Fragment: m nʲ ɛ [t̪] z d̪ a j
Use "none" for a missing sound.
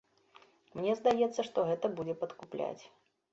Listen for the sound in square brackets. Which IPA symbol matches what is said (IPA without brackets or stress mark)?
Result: none